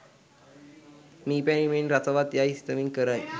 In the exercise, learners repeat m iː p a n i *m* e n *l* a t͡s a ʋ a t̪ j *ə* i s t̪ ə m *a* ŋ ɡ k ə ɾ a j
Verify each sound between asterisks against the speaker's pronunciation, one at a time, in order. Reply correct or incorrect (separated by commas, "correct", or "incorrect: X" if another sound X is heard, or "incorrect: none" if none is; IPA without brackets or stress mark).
correct, incorrect: ɾ, incorrect: a, incorrect: i